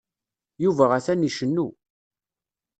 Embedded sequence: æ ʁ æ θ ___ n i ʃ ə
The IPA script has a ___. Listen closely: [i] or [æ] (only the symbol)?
æ